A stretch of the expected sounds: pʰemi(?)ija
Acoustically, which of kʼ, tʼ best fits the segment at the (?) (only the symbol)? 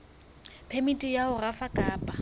tʼ